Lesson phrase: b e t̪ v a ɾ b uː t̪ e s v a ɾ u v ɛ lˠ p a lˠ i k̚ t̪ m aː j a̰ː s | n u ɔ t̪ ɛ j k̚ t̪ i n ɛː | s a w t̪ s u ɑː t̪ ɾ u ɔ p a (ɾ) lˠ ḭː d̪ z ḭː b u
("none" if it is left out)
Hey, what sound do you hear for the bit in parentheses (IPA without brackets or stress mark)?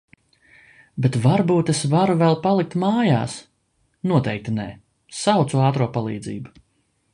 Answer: none